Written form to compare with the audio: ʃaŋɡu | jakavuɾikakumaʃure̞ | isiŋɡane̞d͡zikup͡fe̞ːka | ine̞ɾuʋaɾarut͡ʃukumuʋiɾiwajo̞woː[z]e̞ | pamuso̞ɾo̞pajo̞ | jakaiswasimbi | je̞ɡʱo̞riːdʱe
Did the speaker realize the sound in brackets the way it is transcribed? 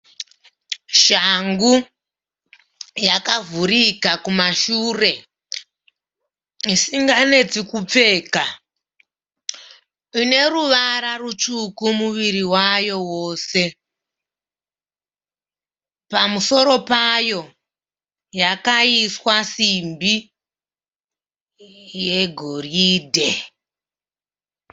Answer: no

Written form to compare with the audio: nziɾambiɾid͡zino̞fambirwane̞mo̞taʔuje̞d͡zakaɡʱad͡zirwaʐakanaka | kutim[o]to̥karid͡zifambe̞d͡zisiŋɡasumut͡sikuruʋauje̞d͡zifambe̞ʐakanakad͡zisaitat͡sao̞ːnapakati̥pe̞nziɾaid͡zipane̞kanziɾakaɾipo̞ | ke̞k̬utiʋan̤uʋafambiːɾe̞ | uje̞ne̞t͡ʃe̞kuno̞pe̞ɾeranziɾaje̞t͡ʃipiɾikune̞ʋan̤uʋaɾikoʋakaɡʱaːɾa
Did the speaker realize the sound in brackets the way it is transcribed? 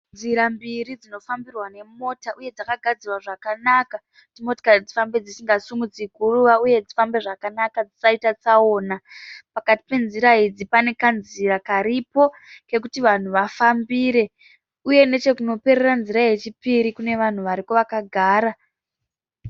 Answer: yes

